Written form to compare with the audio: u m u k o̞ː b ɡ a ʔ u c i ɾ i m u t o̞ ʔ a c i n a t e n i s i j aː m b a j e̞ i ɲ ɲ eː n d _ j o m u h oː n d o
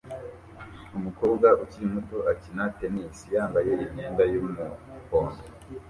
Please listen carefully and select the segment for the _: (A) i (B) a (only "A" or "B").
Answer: B